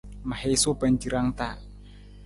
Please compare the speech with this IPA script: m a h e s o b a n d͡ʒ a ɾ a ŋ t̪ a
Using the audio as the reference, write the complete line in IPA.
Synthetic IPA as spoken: m a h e s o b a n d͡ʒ i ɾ a ŋ t̪ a